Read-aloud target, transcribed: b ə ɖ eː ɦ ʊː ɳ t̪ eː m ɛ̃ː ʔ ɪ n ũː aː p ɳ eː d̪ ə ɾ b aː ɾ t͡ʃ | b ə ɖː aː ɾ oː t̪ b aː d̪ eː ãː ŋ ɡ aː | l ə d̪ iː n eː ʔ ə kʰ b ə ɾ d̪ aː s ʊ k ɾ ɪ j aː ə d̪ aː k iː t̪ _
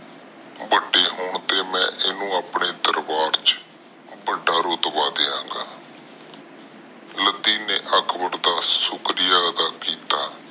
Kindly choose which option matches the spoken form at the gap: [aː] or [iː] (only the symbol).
aː